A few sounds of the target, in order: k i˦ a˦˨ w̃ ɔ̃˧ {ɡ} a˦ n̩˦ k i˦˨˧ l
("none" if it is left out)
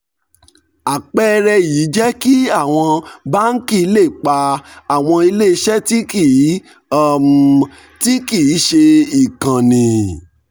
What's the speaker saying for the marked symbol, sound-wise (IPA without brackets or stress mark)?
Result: b